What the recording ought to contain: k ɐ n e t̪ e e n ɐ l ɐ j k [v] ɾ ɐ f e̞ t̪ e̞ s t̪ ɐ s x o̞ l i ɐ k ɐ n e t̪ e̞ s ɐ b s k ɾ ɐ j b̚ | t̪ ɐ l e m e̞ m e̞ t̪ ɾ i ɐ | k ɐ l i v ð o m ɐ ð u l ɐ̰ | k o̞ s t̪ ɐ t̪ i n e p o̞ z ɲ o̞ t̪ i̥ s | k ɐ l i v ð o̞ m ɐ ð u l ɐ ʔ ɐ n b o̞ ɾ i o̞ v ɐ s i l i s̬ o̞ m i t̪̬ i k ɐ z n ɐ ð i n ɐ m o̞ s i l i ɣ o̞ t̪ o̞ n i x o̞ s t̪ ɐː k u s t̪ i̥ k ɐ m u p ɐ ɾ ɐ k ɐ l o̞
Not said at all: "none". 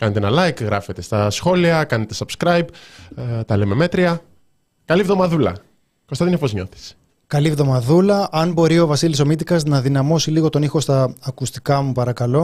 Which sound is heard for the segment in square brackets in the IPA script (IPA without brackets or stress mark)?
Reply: ɣ